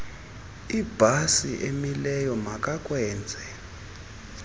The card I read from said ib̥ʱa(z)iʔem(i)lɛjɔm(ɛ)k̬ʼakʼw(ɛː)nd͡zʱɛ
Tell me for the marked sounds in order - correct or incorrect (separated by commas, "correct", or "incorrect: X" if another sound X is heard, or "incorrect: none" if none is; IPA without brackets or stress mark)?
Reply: incorrect: s, correct, incorrect: a, correct